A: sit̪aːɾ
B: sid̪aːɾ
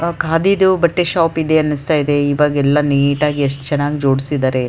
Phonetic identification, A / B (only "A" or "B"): B